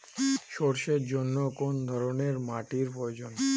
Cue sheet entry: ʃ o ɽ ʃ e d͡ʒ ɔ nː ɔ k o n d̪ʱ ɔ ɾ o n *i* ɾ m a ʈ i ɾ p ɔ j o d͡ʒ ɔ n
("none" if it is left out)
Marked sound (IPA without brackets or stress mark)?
e